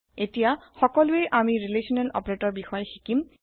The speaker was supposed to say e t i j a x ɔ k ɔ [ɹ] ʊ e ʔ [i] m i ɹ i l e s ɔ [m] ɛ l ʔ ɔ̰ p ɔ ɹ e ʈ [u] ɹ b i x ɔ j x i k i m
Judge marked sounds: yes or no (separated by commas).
no, no, no, no